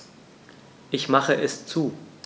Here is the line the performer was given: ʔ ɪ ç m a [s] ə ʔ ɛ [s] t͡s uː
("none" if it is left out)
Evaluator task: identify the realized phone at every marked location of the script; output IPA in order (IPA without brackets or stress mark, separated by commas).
χ, s